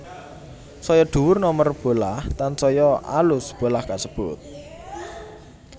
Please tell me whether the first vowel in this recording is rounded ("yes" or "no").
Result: yes